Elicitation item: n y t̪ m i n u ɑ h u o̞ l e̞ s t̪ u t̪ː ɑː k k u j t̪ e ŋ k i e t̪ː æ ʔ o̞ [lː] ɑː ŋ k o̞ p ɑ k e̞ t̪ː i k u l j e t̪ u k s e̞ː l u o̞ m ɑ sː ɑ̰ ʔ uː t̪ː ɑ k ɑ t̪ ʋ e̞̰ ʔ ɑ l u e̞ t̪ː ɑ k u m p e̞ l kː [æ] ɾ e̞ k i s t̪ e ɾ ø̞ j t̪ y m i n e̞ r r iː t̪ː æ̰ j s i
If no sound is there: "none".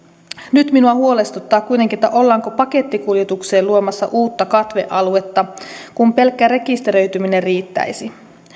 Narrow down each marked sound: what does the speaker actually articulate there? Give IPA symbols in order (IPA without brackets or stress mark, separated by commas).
lː, æ